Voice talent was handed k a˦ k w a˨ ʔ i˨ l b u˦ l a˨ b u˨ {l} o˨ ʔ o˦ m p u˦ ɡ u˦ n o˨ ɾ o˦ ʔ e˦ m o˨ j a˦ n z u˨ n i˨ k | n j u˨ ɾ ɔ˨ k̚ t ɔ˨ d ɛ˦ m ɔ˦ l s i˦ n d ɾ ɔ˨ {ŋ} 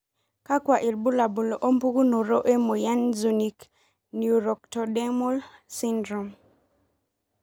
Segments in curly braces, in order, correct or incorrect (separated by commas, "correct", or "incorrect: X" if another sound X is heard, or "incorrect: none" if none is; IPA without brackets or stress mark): correct, incorrect: m